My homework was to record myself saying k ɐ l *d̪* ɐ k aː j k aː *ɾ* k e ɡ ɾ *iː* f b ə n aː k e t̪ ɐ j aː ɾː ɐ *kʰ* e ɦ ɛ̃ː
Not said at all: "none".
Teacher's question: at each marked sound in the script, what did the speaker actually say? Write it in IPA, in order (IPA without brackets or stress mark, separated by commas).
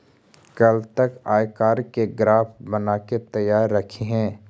t̪, ɾ, aː, kʰ